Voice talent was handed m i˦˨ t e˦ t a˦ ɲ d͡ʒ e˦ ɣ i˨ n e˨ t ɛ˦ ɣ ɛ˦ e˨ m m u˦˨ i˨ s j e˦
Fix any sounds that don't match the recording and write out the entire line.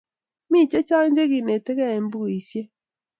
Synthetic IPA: m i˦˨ t͡ʃ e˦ t͡ʃ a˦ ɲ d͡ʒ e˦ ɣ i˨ n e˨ t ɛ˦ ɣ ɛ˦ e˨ m b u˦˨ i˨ s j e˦